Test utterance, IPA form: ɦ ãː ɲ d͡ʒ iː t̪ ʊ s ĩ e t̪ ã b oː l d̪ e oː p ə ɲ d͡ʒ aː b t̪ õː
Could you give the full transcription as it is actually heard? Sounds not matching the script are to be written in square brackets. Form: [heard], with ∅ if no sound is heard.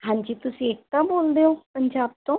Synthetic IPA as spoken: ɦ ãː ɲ d͡ʒ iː t̪ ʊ s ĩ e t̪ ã b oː l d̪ e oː p ə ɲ d͡ʒ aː b t̪ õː